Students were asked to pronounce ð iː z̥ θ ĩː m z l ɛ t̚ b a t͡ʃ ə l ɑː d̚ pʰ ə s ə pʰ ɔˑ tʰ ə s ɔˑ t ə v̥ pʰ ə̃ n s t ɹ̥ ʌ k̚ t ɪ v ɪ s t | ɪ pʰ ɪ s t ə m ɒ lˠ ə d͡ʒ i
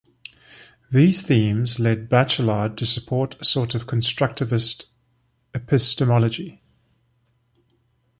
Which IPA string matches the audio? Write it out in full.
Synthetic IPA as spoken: ð iː z̥ θ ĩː m z l ɛ d̚ b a t͡ʃ ə l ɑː d̚ tʰ ə s ə pʰ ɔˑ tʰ ə s ɔˑ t ə v̥ kʰ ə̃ n s t ɹ̥ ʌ k̚ t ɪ v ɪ s t | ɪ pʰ ɪ s t ə m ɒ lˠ ə d͡ʒ i